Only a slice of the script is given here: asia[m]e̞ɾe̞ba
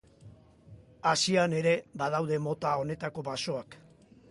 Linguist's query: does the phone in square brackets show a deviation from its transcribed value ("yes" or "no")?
yes